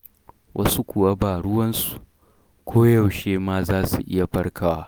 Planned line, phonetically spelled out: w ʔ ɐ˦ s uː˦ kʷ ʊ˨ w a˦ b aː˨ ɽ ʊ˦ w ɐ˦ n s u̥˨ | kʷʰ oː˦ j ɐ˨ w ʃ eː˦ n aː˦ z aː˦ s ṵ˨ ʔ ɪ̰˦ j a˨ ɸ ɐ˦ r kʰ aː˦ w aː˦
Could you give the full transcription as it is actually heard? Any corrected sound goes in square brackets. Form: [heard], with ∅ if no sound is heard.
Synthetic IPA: w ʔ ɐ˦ s [u˦] kʷ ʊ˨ w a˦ b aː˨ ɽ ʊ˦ w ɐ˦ n s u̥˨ | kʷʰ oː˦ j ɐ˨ w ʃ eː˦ [m] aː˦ z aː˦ s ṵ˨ ʔ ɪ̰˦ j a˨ ɸ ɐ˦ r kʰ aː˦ w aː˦